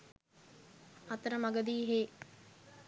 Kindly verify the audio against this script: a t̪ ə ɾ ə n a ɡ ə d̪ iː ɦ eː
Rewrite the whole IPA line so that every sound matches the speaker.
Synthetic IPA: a t̪ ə ɾ ə m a ɡ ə d̪ iː ɦ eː